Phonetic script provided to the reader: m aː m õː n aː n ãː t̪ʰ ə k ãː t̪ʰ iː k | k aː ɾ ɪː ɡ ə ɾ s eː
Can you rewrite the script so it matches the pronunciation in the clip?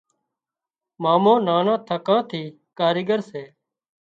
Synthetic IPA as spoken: m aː m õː n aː n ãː t̪ʰ ə k ãː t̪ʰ iː | k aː ɾ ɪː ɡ ə ɾ s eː